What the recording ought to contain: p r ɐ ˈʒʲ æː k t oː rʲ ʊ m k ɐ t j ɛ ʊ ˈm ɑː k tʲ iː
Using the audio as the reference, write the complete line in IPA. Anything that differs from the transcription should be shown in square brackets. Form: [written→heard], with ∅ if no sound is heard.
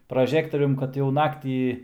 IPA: p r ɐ ˈʒʲ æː k t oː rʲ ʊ m k ɐ t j ɛ ʊ [ˈm→ˈn] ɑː k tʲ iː